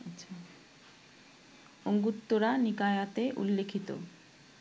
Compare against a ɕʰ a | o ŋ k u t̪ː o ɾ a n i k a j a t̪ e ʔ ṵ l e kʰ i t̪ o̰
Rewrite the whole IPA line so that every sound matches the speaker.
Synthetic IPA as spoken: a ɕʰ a | o ŋ ɡ u t̪ː o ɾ a n i k a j a t̪ e ʔ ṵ lː e kʰ i t̪ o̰

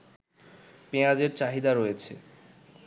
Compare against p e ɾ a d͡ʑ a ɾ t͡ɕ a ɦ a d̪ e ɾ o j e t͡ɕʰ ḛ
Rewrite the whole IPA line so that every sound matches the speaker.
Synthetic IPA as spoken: p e a d͡ʑ e ɾ t͡ɕ a ɦ i d̪ a ɾ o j e t͡ɕʰ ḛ

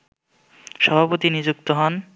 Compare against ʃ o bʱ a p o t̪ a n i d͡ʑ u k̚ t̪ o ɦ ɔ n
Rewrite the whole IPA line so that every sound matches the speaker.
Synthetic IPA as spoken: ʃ ɔ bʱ a p o t̪ i n i d͡ʑ u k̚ t̪ o ɦ ɔ n

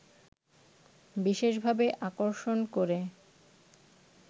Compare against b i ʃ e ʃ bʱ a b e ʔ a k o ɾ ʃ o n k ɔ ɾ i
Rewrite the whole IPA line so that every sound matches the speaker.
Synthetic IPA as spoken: b i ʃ e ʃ bʱ a b e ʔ a k o ɾ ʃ o n k o ɾ e

